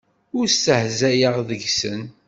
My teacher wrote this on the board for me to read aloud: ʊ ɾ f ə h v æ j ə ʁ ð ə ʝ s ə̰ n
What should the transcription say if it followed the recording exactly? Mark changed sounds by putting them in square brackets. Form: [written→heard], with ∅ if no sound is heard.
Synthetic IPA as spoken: ʊ ɾ [f→s] ə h [v→z] æ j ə ʁ ð ə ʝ s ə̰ n

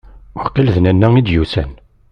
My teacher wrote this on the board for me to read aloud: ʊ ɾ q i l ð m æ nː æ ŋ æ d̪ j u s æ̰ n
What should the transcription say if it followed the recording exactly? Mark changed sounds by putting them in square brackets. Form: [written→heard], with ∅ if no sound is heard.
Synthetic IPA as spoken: ʊ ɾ q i l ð [m→n] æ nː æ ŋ [æ→i] d̪ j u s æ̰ n

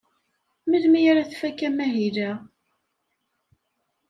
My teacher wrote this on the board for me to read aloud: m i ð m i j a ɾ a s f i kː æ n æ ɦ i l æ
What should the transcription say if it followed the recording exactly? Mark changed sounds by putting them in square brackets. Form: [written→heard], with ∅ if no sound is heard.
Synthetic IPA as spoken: m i ð m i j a ɾ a [s→θ] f [i→æ] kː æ [n→m] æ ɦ i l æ

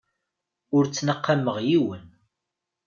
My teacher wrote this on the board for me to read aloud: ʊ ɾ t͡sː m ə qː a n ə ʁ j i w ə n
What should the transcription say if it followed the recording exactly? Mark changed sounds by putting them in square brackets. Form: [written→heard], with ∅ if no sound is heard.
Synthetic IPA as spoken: ʊ ɾ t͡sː [m→n] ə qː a [n→m] ə ʁ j i w ə n

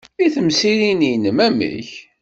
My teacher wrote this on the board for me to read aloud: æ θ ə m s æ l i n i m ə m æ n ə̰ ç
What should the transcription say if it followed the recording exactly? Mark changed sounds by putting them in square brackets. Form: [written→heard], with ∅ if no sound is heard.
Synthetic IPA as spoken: [æ→i] θ ə m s [æ→i] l i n i [m→n] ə m æ [n→m] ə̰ ç

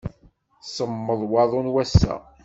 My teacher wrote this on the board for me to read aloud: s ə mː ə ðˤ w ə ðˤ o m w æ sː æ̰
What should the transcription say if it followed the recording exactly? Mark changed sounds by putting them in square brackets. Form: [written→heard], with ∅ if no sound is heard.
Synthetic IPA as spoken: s ə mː ə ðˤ w [ə→ɑ] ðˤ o [m→n] w æ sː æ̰

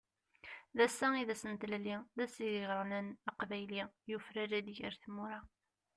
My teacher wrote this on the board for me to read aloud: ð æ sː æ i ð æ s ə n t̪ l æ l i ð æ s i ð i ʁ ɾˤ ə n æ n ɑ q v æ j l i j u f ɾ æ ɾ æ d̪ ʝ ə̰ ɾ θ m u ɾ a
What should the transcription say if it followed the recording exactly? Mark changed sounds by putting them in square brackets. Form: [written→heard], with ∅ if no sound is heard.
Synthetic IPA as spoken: ð æ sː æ i ð æ s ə n t̪ l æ l i ð æ s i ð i ʁ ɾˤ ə n æ n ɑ q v æ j l i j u f ɾ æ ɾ æ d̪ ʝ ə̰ ɾ θ m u ɾ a

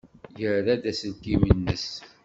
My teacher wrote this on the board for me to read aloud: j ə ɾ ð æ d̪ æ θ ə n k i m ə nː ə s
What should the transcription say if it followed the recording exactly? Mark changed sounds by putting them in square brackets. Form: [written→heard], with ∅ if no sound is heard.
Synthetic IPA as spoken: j ə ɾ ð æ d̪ æ [θ→s] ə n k i m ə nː ə s

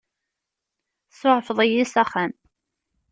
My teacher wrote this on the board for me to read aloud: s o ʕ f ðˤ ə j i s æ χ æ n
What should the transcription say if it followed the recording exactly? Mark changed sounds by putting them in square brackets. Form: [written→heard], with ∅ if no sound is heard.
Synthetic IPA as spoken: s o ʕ f ðˤ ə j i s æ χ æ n

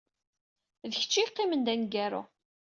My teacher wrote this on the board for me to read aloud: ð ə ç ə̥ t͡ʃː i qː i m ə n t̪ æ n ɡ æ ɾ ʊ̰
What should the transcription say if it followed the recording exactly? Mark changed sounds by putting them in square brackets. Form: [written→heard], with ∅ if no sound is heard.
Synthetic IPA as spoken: ð ə ç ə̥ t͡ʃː i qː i m ə n [t̪→d̪] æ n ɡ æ ɾ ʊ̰

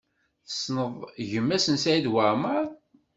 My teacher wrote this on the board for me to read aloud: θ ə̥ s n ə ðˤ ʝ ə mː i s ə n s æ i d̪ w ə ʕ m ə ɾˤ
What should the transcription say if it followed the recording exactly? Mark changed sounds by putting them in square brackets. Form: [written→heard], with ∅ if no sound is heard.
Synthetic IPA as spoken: θ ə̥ s n ə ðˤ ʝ ə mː [i→æ] s ə n s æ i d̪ w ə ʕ m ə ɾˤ

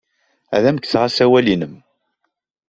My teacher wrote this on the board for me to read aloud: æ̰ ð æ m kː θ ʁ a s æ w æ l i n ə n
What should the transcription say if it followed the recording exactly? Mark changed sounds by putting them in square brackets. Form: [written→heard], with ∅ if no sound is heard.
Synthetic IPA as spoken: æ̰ ð æ m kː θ ʁ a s æ w æ l i n ə [n→m]

